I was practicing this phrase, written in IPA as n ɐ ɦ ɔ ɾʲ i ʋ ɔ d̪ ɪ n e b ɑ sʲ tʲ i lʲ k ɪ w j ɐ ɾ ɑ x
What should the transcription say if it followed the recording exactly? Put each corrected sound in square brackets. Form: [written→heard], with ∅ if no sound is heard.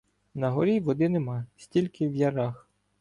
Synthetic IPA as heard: n ɐ ɦ ɔ ɾʲ i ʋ ɔ d̪ ɪ n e [b→m] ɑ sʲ tʲ i lʲ k ɪ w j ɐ ɾ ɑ x